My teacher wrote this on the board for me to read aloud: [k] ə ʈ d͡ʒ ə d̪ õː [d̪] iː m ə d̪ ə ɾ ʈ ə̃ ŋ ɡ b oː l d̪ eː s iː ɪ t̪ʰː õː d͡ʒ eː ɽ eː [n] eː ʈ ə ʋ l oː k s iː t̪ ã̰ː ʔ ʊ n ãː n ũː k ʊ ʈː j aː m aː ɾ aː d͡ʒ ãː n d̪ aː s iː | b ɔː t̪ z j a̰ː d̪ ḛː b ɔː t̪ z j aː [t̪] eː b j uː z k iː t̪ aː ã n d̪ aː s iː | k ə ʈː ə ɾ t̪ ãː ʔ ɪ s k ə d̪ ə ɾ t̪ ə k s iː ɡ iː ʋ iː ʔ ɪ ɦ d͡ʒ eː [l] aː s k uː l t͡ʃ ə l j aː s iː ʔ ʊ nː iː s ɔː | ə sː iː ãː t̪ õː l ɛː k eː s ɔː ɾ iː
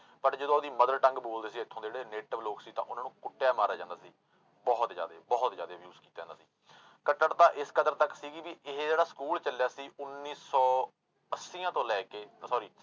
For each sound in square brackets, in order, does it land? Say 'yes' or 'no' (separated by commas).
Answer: no, yes, yes, no, no